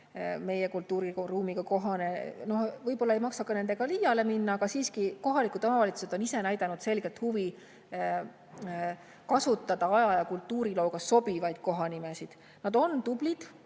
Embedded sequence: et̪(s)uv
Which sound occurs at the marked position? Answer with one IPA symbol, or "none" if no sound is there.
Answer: h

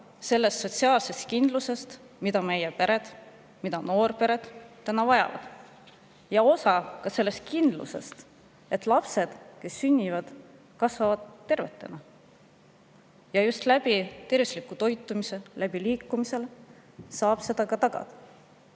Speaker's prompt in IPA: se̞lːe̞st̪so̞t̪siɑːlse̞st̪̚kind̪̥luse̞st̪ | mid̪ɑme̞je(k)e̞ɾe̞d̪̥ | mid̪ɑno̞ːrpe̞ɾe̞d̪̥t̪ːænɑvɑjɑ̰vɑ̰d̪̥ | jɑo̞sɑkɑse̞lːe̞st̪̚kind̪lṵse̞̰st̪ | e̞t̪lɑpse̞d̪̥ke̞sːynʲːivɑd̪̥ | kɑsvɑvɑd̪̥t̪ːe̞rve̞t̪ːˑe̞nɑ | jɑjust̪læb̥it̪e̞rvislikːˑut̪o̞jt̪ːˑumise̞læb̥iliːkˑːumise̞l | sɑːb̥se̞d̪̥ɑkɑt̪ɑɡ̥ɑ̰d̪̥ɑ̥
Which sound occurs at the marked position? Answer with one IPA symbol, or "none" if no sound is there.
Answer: p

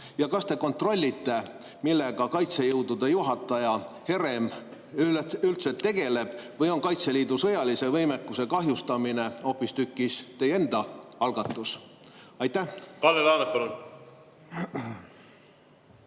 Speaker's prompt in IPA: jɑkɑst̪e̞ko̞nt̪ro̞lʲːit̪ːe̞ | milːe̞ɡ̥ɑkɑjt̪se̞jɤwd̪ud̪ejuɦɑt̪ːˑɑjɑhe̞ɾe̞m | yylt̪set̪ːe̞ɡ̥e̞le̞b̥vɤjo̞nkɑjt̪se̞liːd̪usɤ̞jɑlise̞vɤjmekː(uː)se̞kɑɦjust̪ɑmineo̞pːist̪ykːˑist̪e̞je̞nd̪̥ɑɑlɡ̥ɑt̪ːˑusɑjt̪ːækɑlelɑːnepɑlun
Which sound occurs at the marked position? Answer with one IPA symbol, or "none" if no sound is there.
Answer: u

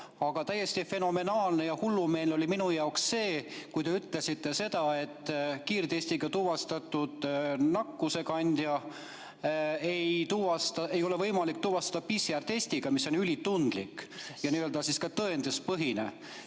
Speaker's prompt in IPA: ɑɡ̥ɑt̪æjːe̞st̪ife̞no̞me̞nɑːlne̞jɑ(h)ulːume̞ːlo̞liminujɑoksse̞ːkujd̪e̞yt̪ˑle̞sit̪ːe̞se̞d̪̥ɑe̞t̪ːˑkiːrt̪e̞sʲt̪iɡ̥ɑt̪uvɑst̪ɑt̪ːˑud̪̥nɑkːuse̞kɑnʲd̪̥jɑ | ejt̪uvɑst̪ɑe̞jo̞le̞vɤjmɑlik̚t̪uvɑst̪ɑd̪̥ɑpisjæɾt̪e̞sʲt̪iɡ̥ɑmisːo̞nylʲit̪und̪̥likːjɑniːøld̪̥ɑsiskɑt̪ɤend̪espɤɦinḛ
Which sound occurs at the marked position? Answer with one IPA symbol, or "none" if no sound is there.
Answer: h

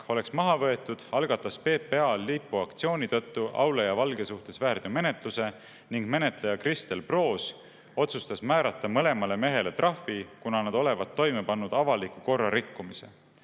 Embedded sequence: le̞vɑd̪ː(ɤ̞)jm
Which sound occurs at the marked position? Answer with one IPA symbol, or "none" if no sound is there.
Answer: o̞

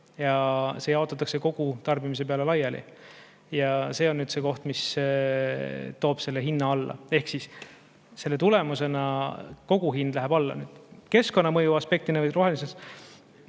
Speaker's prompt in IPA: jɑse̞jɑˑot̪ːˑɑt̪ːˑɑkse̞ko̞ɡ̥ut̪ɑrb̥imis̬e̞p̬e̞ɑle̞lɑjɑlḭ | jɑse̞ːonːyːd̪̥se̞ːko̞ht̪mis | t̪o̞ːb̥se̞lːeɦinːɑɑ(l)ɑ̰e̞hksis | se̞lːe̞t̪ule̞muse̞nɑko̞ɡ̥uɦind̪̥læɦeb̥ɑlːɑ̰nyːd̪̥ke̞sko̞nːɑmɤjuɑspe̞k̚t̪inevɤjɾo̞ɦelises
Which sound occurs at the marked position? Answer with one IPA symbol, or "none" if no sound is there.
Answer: lː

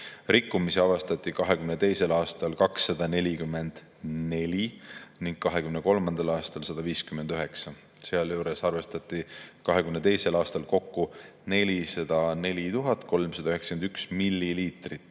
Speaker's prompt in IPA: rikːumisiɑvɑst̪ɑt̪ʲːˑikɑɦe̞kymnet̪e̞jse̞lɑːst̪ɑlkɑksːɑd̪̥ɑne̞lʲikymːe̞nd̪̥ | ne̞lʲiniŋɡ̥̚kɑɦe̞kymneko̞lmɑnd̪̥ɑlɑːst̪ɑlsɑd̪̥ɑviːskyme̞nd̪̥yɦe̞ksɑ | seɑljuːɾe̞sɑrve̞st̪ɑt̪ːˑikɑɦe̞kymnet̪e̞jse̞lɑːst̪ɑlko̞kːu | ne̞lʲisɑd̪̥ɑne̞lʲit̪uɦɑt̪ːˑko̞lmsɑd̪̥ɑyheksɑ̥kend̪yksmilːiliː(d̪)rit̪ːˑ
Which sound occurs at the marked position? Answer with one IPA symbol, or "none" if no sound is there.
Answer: t̪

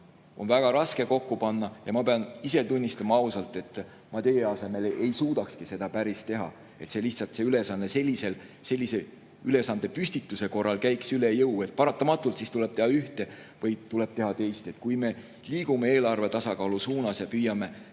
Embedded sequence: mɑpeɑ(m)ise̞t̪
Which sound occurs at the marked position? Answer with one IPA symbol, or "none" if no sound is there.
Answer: n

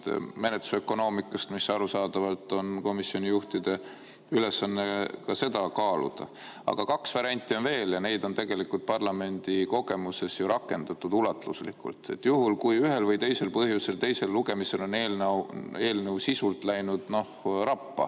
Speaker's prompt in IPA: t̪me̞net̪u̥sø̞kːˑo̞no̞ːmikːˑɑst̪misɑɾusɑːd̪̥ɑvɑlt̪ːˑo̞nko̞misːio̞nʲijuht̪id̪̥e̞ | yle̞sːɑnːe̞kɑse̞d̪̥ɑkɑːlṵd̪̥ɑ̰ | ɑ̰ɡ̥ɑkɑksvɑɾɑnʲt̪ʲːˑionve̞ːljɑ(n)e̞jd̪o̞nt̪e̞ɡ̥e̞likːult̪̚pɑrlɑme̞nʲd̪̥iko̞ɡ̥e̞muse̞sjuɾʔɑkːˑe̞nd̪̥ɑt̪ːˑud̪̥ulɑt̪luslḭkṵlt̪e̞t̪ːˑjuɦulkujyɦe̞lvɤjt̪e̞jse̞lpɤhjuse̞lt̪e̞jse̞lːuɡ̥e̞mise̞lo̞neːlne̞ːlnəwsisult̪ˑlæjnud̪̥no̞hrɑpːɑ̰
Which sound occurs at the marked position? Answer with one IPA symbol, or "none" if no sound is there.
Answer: n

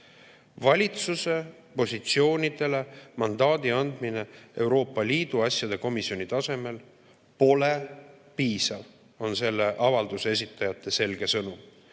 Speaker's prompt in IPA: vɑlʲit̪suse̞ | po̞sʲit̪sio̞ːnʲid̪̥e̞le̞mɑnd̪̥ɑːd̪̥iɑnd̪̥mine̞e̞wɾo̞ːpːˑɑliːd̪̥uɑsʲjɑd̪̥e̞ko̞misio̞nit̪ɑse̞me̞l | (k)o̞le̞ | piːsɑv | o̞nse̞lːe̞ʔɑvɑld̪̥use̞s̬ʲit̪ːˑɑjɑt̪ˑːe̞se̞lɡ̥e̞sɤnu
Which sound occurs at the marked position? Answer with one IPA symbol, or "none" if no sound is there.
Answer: p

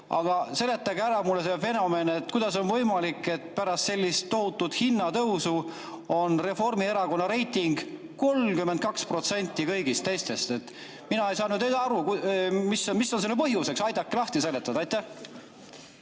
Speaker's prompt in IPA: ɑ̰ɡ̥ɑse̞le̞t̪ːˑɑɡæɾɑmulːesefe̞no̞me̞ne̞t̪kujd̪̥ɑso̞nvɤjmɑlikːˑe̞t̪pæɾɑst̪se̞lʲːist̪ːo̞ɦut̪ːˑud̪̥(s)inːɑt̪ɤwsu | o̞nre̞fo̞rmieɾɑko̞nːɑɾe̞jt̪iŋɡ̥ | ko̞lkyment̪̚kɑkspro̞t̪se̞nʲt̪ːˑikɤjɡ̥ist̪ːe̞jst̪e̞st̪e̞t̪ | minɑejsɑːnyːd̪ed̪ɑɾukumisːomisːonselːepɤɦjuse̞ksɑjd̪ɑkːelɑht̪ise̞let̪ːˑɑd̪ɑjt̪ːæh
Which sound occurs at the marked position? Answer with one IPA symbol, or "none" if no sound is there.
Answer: h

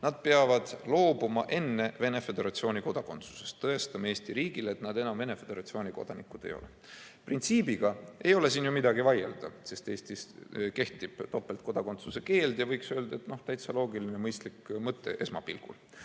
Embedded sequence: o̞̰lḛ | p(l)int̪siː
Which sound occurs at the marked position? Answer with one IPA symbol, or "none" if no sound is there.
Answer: r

